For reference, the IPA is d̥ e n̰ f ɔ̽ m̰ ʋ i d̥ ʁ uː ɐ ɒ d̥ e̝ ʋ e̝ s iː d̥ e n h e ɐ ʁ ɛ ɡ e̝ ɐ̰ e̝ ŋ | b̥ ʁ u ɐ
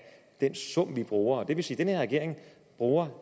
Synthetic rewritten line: d̥ e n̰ s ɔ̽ m̰ ʋ i b̥ ʁ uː ɐ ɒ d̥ e̝ ʋ e̝ s iː d̥ e n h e ɐ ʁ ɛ ɡ e̝ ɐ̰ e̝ ŋ | b̥ ʁ uː ɐ